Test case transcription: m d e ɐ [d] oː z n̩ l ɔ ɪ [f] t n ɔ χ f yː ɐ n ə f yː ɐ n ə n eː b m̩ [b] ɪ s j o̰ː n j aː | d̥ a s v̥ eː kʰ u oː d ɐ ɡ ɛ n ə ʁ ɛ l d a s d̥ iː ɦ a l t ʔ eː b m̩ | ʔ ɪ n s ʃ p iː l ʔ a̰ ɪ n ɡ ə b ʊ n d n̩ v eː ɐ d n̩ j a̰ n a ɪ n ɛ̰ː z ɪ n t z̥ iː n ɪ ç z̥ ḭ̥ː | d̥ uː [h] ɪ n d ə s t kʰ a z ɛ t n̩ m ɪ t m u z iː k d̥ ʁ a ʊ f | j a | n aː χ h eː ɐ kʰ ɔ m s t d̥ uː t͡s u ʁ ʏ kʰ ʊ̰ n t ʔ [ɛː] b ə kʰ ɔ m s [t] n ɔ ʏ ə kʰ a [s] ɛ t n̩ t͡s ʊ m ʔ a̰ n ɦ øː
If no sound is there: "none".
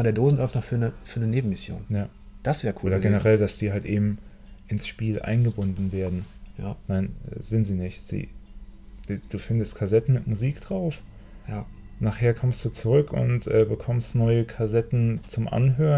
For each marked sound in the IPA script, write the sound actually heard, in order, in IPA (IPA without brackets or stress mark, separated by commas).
d, f, m, f, ɛː, t, z